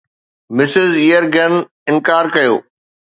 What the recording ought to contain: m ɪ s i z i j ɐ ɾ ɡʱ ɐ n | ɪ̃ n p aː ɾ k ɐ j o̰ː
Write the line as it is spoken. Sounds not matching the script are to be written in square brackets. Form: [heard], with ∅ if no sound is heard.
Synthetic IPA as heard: m ɪ s [ɪ] z i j [ə] ɾ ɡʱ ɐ n | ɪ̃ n [k] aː ɾ k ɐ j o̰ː